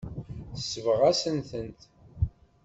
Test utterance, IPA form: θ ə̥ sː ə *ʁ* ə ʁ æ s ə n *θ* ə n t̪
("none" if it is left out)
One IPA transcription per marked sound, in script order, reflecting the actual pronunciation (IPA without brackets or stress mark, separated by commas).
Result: v, θ